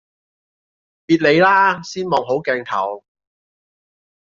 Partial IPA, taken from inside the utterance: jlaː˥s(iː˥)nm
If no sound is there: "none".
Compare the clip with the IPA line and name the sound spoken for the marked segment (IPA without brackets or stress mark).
iː˥